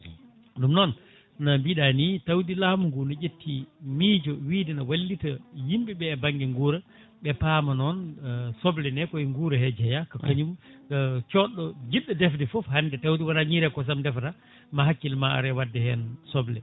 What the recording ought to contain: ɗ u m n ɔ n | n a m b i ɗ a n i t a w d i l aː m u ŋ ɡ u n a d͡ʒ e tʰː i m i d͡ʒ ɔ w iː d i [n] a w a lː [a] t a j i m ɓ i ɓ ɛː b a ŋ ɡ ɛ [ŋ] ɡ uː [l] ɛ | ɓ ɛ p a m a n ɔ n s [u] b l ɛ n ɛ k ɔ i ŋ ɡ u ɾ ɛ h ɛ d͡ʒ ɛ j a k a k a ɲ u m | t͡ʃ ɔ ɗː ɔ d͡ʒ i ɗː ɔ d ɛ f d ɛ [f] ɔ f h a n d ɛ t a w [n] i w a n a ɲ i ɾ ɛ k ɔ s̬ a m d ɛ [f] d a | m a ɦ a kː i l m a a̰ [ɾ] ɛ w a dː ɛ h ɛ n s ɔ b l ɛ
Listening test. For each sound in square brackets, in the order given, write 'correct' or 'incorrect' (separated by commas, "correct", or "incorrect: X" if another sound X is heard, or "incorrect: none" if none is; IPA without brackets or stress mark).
correct, incorrect: i, correct, incorrect: ɾ, incorrect: ɔ, correct, incorrect: d, correct, correct